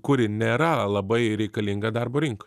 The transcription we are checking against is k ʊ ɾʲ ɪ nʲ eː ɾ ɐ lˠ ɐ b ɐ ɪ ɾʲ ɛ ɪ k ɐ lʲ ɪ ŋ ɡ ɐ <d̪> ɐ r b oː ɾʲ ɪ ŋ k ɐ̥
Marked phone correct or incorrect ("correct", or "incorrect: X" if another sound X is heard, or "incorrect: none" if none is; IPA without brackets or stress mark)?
correct